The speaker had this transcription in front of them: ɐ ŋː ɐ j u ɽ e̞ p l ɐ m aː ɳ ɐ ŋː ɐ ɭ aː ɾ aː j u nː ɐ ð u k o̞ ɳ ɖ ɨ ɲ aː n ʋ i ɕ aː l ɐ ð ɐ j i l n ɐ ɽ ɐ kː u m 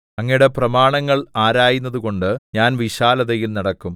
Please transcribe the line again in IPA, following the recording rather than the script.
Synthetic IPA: ɐ ŋː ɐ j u ɽ e̞ p r ɐ m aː ɳ ɐ ŋː ɐ ɭ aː ɾ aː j u nː ɐ ð u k o̞ ɳ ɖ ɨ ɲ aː n ʋ i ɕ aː l ɐ ð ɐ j i l n ɐ ɽ ɐ kː u m